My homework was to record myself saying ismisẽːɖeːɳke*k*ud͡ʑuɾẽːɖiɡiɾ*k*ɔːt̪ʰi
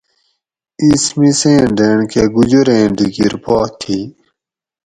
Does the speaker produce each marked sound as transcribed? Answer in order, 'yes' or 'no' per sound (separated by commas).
no, no